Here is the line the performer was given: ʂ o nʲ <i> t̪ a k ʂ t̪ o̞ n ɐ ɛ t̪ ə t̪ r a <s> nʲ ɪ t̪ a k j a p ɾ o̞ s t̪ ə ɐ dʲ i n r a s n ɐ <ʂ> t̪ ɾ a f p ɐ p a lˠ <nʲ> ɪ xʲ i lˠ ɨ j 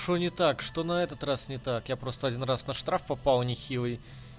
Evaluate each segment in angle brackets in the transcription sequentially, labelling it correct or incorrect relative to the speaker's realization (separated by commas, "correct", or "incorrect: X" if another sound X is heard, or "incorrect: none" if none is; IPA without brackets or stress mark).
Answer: incorrect: ɪ, correct, correct, correct